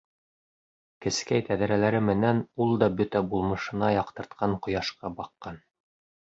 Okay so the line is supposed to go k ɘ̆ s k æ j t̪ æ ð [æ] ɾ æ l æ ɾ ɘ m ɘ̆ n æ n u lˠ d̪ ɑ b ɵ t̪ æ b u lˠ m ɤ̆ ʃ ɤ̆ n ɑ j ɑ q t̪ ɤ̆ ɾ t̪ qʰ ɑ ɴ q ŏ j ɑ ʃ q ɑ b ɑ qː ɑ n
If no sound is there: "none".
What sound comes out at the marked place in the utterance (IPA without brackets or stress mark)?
æ